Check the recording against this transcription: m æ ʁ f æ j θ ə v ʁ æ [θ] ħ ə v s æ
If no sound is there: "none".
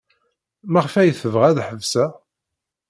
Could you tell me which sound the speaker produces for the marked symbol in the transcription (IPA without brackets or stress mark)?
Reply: ð